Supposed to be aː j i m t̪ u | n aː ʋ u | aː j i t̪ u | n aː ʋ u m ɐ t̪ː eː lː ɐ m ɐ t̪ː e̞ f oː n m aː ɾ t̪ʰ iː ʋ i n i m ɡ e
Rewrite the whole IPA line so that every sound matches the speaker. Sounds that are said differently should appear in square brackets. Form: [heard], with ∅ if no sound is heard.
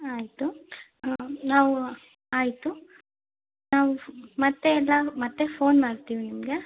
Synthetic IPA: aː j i [∅] t̪ u | n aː ʋ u | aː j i t̪ u | n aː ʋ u m ɐ t̪ː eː lː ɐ m ɐ t̪ː e̞ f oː n m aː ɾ [t̪] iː ʋ i n i m ɡ e

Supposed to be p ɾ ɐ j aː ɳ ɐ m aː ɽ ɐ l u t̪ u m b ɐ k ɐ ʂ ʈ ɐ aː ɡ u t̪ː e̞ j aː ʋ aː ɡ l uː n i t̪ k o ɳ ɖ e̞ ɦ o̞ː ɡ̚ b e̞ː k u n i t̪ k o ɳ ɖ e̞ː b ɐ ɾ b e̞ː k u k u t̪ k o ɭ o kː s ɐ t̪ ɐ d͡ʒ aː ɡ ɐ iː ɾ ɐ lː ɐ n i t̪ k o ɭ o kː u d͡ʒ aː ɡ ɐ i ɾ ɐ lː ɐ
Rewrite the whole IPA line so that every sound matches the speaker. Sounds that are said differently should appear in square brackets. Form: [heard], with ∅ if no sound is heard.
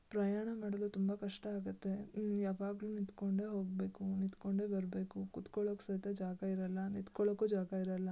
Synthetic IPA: p ɾ ɐ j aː ɳ ɐ m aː ɽ ɐ l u t̪ u m b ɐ k ɐ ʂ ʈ ɐ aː ɡ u t̪ː e̞ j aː ʋ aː ɡ l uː n i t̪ k o ɳ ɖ e̞ ɦ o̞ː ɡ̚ b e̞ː k u n i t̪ k o ɳ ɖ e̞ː b ɐ ɾ b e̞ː k u k u t̪ k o ɭ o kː s ɐ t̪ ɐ d͡ʒ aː ɡ ɐ [i] ɾ ɐ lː ɐ n i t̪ k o ɭ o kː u d͡ʒ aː ɡ ɐ i ɾ ɐ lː ɐ

